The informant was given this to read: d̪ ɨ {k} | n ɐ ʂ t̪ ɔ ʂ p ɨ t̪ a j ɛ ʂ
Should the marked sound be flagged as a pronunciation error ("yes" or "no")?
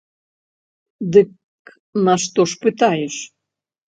no